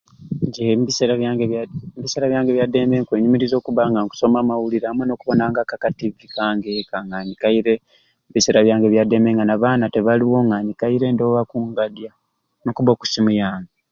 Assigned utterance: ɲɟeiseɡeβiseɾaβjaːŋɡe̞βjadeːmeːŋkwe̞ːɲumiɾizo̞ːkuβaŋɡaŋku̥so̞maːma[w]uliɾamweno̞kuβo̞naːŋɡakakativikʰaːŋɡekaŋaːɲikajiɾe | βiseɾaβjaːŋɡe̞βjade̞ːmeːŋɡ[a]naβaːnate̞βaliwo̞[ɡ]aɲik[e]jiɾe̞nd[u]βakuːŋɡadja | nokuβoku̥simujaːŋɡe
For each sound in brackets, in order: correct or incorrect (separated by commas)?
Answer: correct, correct, incorrect, incorrect, incorrect